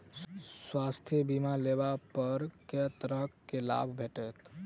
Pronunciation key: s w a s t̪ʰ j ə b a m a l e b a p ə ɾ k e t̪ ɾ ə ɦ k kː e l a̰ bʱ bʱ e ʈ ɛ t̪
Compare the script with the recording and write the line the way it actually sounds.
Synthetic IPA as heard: s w a s t̪ʰ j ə b i m a l e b a p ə ɾ k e t̪ ɾ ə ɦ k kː e l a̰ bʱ bʱ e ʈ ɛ t̪